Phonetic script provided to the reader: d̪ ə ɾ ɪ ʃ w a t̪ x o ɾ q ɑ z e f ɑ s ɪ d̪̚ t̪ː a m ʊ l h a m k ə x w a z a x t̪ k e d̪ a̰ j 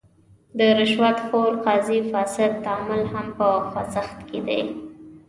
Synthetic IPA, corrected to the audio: d̪ ə ɾ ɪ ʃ w a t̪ x o ɾ q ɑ z i f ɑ s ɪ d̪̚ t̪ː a m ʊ l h a m p ə x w a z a x t̪ k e d̪ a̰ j